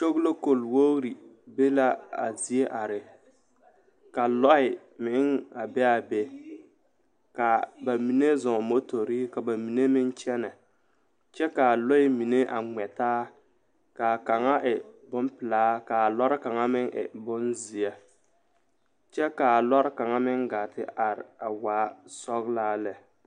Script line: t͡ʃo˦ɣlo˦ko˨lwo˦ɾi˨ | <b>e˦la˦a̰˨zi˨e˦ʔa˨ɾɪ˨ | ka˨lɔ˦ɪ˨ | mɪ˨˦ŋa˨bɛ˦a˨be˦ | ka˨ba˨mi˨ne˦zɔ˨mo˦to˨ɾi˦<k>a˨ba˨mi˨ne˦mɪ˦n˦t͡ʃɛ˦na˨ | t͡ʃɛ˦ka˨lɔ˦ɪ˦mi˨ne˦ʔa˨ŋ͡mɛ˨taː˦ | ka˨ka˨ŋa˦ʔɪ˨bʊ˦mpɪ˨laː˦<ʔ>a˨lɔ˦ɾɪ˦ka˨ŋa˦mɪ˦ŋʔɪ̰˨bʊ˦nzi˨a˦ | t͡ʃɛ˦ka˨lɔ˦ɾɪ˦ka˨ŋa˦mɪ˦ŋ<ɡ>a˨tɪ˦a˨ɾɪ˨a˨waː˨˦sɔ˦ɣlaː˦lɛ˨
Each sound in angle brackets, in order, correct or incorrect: correct, correct, incorrect: k, correct

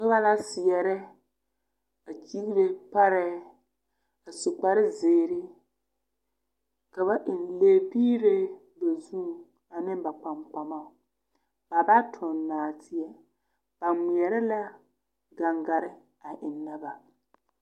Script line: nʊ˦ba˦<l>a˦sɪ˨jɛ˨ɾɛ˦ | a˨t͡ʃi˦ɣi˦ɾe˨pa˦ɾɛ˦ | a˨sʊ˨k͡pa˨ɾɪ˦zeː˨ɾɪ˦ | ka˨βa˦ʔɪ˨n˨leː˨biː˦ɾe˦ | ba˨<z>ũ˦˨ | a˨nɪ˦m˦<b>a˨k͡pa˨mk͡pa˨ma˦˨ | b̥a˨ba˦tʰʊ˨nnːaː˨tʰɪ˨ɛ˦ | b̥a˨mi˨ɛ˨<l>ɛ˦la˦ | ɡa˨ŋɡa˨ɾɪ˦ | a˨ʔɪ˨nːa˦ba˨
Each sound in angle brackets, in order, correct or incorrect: correct, correct, correct, incorrect: ɾ

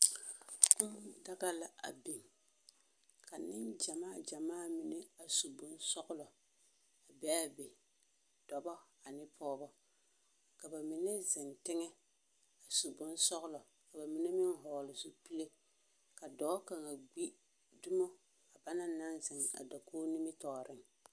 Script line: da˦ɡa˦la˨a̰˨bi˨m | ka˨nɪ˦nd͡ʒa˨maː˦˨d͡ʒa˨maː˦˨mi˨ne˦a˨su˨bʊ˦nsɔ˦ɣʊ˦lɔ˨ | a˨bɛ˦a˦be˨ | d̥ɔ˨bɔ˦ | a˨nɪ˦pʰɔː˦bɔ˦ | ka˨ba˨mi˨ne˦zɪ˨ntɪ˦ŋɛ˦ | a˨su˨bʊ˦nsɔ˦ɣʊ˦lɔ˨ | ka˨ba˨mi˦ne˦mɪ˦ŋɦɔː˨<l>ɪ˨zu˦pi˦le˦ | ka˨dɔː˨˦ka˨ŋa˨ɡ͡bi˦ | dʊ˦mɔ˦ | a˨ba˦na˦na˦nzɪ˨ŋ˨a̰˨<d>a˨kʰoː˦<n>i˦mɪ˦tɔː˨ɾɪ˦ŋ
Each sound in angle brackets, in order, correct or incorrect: correct, correct, correct

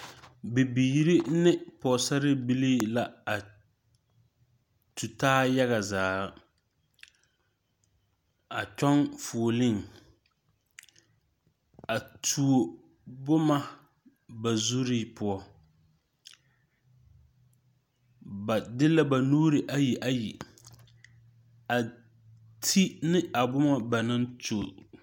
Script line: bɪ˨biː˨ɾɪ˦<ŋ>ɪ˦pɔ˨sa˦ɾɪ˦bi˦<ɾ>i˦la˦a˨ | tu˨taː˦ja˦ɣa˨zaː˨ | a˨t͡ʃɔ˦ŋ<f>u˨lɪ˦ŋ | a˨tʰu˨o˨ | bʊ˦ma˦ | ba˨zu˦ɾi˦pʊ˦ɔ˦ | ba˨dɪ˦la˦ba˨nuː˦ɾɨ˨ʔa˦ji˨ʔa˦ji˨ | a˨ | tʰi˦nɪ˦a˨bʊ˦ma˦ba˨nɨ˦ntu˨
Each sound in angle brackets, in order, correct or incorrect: incorrect: n, incorrect: l, correct

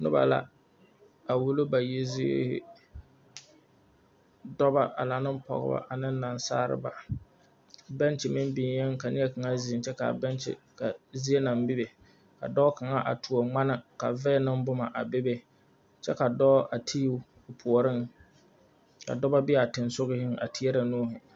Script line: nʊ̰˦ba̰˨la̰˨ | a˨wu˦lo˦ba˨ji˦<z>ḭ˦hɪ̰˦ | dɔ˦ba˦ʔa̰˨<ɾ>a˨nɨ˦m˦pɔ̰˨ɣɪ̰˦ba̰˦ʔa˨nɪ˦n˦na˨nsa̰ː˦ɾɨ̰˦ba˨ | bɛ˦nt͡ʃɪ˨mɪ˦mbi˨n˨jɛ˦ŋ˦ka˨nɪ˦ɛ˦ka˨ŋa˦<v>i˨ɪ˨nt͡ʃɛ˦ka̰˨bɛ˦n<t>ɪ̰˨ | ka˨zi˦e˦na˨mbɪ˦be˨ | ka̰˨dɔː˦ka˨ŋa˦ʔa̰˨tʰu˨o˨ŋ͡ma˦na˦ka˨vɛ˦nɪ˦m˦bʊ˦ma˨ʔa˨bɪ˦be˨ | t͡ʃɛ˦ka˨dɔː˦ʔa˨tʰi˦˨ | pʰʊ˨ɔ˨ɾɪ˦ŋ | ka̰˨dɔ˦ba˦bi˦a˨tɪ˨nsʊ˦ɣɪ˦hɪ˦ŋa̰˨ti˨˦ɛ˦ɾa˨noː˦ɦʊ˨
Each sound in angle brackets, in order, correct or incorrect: correct, incorrect: l, incorrect: z, incorrect: t͡ʃ

